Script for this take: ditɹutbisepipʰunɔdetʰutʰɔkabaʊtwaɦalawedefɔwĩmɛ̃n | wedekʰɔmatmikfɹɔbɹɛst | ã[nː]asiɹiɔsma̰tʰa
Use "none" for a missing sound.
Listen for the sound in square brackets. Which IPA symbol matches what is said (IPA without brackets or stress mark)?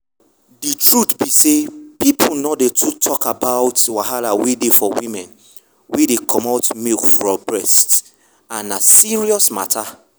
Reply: n